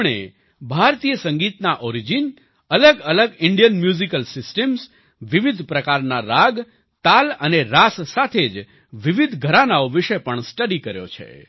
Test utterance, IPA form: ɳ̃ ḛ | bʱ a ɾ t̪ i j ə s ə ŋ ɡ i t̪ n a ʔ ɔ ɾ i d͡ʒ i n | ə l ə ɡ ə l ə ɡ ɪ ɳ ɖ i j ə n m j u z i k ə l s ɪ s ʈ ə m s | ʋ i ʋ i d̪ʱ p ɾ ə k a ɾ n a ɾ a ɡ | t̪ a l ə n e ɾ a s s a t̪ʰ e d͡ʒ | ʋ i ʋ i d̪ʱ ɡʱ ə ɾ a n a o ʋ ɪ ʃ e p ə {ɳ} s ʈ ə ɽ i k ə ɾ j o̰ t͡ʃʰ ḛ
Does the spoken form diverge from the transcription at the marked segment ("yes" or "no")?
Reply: no